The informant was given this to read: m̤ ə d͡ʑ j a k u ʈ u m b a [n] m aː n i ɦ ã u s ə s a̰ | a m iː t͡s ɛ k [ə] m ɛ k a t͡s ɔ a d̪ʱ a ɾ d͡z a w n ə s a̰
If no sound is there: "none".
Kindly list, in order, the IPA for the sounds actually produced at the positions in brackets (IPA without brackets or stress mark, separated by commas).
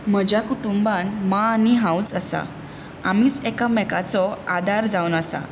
n, a